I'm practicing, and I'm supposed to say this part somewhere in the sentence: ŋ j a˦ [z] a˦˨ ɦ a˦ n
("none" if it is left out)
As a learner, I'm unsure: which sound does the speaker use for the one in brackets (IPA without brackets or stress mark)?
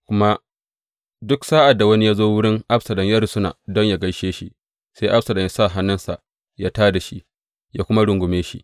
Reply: s